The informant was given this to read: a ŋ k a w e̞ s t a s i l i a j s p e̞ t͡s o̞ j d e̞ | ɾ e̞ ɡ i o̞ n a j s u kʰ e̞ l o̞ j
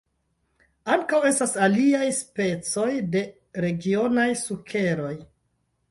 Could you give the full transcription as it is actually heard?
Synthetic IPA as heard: a ŋ k a w e̞ s t a s a l i a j s p e̞ t͡s o̞ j d e̞ | ɾ e̞ ɡ i o̞ n a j s u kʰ e̞ ɾ o̞ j